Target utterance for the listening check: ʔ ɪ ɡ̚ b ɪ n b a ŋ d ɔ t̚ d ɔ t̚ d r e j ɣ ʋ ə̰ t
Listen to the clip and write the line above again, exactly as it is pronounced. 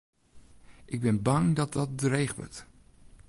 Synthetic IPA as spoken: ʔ ɪ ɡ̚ b ɪ n b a ŋ d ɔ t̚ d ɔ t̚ d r e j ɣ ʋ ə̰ t